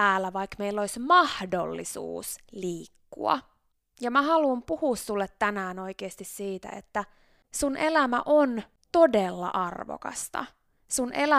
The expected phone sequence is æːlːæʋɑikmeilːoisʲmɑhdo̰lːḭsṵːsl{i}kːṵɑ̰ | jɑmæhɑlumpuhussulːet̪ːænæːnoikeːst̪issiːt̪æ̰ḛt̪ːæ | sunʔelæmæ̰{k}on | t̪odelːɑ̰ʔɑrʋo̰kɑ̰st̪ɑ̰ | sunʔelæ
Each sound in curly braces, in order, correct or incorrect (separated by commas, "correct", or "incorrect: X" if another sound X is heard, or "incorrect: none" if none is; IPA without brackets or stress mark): incorrect: iː, incorrect: ʔ